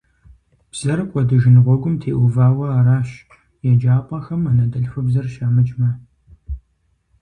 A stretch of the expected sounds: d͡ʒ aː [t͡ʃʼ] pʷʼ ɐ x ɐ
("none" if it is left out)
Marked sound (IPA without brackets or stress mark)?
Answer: none